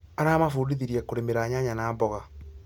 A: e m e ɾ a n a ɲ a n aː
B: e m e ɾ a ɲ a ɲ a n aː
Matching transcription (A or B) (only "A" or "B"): B